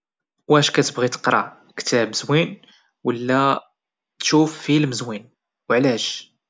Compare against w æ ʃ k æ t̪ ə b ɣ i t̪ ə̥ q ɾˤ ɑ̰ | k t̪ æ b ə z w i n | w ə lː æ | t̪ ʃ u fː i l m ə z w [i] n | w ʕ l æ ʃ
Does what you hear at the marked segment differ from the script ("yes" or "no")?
no